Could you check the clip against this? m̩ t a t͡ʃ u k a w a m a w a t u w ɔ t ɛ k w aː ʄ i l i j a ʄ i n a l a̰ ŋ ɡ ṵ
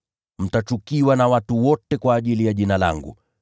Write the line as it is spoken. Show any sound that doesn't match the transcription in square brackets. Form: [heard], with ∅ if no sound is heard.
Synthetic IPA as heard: m̩ t a t͡ʃ u k [i] w a [n] a w a t u w ɔ t ɛ k w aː ʄ i l i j a ʄ i n a l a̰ ŋ ɡ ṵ